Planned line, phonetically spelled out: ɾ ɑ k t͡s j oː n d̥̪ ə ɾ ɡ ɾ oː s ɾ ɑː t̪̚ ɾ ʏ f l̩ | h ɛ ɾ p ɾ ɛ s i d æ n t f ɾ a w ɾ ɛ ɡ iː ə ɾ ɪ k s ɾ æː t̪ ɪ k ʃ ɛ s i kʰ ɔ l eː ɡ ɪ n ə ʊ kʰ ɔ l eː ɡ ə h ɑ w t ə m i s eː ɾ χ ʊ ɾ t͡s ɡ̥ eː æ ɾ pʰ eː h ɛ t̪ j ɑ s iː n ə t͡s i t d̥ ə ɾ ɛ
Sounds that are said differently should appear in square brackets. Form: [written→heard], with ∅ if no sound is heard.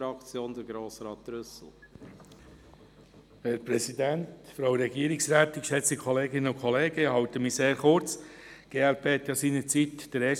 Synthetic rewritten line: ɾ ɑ k t͡s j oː n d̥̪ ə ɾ ɡ ɾ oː s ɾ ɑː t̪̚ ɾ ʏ [f→s] l̩ | h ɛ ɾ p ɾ ɛ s i d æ n t f ɾ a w ɾ ɛ ɡ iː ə ɾ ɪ k s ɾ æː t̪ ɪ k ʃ ɛ [s→t͡s] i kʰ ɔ l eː ɡ ɪ n ə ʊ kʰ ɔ l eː ɡ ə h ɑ w t ə m i s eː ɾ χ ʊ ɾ t͡s ɡ̥ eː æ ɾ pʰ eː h ɛ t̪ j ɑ s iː n ə t͡s i t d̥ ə ɾ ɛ